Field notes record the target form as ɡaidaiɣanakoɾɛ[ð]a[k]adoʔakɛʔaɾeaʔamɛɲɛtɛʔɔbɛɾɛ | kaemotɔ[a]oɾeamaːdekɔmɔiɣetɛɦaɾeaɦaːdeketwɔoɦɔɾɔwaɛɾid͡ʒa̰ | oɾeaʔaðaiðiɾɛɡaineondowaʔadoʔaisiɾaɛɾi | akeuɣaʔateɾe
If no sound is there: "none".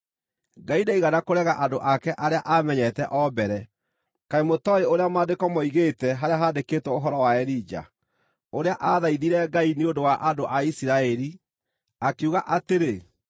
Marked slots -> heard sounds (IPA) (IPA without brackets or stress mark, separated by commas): ɣ, ʔ, e